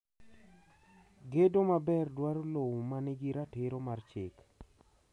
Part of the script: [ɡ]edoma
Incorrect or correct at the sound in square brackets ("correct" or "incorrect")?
correct